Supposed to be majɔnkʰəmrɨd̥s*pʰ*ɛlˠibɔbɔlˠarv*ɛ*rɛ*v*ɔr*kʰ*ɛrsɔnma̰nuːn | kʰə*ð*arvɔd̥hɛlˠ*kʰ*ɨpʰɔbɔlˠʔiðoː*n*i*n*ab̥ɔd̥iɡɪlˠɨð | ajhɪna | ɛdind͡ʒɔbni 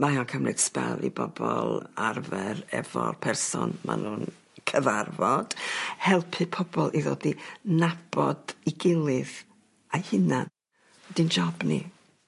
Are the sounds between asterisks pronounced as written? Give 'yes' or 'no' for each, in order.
no, yes, yes, no, no, no, no, yes

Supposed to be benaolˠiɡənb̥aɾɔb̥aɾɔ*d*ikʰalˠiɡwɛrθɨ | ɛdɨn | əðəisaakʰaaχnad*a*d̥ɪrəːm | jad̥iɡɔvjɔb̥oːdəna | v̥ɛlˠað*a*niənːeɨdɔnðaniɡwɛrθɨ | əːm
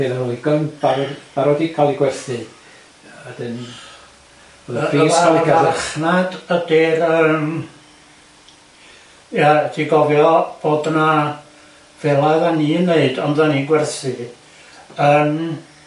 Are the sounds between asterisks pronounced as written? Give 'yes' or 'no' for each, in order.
yes, no, yes

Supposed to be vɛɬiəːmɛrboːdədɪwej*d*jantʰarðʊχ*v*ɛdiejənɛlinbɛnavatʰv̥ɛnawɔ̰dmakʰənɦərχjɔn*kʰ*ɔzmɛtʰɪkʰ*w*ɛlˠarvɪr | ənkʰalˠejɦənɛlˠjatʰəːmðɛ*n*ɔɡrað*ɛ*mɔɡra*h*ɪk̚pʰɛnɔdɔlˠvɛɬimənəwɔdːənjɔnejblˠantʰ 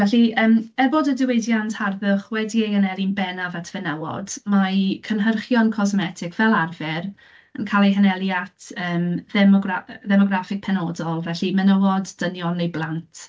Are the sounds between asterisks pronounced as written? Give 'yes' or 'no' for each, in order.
yes, no, yes, no, no, yes, no

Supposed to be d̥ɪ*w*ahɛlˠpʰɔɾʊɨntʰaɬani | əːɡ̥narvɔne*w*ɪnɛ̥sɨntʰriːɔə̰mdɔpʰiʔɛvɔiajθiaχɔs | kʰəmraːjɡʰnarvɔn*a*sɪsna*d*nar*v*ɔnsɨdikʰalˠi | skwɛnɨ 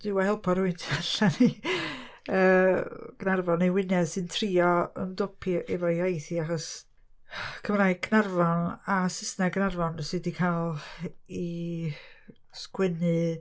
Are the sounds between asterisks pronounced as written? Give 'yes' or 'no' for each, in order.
yes, yes, yes, no, yes

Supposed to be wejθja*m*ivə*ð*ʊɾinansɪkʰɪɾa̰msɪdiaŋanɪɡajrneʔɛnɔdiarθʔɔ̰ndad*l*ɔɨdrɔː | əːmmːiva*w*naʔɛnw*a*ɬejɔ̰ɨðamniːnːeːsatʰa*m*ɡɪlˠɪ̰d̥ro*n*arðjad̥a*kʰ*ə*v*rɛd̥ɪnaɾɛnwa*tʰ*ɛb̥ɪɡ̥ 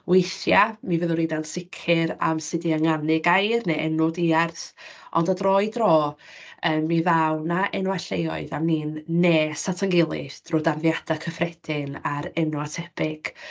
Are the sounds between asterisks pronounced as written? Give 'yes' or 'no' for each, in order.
yes, yes, no, yes, yes, no, no, yes, no, yes

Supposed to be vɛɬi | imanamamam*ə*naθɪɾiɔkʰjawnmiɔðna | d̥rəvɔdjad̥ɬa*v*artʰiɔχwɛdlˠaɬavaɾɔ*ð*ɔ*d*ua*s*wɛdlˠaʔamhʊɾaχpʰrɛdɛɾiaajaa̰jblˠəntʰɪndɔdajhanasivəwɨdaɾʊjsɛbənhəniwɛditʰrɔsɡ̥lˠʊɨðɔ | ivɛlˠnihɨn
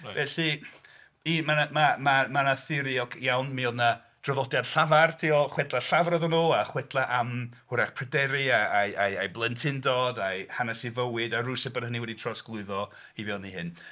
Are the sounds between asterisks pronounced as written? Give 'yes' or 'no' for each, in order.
no, yes, yes, no, no

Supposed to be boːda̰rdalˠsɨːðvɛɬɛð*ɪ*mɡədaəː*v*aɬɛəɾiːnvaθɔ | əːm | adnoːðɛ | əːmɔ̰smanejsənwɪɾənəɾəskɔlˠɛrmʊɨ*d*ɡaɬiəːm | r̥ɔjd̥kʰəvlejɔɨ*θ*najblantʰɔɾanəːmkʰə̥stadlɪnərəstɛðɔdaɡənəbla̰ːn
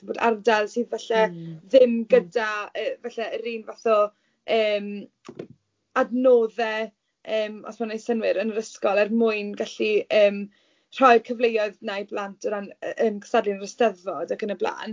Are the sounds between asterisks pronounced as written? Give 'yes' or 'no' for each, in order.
yes, yes, no, no

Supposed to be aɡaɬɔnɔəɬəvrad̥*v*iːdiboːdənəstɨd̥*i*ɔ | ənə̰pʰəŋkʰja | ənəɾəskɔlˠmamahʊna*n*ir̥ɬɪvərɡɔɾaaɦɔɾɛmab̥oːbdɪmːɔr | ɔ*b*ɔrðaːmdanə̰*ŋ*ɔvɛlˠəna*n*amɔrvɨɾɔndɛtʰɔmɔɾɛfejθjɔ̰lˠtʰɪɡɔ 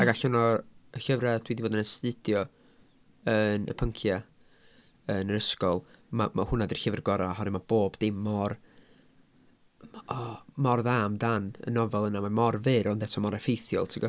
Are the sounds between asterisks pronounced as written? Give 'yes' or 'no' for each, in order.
no, no, no, no, no, no

